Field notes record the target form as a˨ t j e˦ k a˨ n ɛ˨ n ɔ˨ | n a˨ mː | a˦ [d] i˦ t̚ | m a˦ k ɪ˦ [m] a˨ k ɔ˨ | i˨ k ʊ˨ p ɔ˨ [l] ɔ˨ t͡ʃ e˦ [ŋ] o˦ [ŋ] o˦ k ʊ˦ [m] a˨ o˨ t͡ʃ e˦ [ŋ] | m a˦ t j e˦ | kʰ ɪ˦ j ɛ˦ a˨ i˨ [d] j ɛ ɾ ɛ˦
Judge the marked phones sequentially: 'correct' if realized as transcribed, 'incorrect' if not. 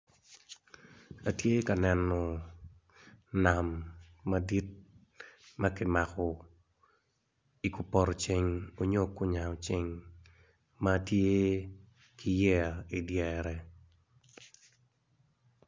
correct, correct, incorrect: ɾ, correct, incorrect: ɲ, incorrect: ɲ, correct, correct

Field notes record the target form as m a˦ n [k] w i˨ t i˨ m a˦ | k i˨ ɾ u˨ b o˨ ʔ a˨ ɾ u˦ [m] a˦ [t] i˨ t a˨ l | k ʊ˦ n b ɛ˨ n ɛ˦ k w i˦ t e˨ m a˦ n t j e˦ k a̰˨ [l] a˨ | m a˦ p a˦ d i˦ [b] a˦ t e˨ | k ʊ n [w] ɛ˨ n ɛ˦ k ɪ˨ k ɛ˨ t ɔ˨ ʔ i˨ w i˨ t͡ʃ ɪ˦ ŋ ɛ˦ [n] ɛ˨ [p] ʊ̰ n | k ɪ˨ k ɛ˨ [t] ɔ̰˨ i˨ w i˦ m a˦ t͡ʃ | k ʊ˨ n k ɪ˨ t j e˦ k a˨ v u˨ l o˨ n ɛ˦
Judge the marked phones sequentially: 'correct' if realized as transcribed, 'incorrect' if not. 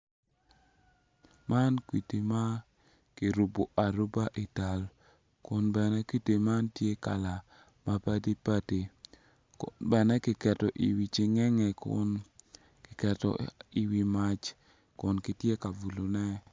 correct, incorrect: b, incorrect: ʔ, correct, incorrect: p, incorrect: b, incorrect: ŋ, incorrect: k, correct

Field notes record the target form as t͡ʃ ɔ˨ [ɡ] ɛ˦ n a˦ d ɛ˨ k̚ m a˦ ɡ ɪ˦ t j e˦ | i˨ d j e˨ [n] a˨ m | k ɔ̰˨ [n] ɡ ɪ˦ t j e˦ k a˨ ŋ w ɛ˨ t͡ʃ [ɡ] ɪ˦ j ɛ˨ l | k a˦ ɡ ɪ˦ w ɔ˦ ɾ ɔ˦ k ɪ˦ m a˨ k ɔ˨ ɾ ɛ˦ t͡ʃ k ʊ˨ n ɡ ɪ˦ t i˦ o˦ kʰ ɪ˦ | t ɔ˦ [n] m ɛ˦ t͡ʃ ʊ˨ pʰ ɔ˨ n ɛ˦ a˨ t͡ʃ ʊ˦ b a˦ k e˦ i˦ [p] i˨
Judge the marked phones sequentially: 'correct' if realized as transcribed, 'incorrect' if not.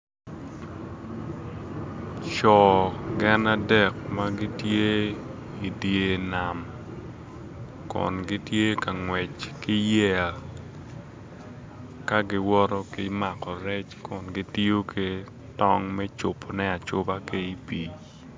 correct, correct, correct, incorrect: k, incorrect: ŋ, correct

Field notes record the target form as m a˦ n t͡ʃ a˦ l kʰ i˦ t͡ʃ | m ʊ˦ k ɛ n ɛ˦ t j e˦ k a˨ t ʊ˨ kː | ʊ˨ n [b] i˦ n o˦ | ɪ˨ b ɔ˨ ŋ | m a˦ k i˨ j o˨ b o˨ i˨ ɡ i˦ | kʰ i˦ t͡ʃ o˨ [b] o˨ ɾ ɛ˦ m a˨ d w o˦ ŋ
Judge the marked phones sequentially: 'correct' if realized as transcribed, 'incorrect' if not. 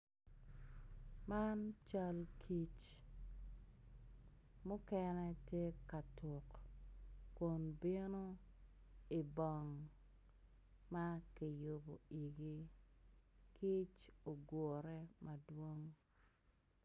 correct, incorrect: ɡ

